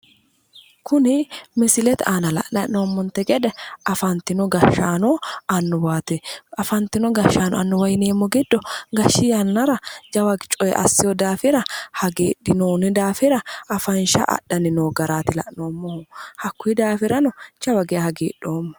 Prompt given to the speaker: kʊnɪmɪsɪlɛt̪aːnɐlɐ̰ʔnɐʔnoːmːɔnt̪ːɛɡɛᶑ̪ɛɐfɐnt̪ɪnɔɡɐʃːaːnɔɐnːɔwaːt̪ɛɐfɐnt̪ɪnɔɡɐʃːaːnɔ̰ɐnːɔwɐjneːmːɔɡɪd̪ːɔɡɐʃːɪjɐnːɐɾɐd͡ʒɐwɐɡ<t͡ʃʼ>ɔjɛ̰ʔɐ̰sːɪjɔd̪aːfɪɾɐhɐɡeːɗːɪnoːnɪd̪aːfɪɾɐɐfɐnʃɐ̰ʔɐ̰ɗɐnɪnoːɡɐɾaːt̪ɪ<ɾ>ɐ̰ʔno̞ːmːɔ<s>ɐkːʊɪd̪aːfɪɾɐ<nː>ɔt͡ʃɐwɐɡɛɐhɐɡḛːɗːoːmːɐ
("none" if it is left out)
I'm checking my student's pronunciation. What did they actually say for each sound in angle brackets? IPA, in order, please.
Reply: t͡ʃʼ, l, h, n

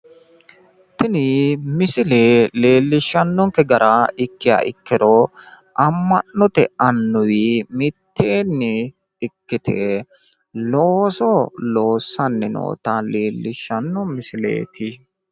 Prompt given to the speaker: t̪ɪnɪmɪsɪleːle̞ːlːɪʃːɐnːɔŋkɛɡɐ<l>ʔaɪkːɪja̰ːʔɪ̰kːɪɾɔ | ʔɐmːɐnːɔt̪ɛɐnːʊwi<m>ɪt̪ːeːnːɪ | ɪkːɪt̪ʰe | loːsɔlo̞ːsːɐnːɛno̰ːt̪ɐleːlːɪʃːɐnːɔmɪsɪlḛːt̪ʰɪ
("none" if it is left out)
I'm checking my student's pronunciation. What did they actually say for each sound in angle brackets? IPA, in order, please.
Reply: ɾ, m

